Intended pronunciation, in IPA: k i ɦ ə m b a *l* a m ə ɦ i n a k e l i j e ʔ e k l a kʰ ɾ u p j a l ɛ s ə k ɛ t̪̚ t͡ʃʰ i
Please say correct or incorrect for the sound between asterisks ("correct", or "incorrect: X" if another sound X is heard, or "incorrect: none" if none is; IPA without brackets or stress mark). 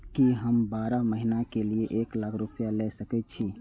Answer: incorrect: ɾ